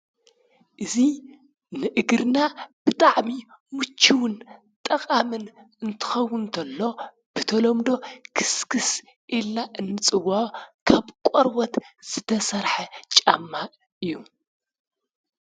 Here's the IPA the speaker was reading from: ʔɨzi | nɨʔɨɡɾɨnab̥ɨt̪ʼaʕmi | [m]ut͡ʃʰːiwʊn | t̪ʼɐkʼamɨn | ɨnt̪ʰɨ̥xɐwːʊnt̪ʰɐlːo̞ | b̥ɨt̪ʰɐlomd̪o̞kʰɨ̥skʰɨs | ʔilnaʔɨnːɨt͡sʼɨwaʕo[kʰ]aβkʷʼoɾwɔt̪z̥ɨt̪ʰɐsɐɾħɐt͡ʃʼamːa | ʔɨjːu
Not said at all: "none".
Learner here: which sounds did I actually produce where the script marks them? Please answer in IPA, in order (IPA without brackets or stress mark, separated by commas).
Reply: m, kʰ